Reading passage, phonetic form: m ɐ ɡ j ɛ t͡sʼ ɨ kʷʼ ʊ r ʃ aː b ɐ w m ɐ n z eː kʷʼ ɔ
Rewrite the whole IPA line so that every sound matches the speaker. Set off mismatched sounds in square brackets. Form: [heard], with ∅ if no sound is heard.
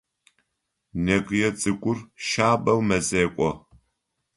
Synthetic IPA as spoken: [n] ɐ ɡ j ɛ t͡sʼ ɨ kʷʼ ʊ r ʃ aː b ɐ w m ɐ [∅] z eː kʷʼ ɔ